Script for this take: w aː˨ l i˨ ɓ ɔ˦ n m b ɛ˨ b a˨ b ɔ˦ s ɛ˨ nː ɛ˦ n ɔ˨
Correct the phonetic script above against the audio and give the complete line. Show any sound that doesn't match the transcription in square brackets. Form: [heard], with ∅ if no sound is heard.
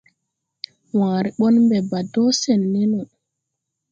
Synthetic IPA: w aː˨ [ɾ] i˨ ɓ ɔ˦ n m b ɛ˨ b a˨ [d] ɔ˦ s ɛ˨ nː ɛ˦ n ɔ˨